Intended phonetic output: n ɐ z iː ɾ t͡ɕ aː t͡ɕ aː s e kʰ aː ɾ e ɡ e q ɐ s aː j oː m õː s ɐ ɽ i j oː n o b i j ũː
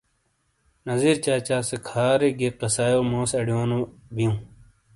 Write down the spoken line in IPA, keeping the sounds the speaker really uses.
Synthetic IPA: n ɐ z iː ɾ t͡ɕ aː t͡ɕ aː s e kʰ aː ɾ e ɡ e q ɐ s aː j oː m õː s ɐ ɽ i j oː n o b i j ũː